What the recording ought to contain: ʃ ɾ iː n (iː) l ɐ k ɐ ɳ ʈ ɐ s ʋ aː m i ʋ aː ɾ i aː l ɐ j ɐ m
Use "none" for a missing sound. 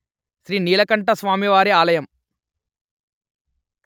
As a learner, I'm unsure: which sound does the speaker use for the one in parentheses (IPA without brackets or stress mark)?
iː